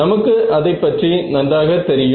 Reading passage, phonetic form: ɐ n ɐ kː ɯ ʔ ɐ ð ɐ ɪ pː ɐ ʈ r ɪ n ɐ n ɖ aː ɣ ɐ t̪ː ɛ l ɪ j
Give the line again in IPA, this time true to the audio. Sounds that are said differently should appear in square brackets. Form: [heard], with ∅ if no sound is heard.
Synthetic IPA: ɐ [m] ɐ kː ɯ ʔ ɐ ð ɐ ɪ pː ɐ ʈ r [i] n ɐ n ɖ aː ɣ ɐ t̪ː ɛ [ɾ] ɪ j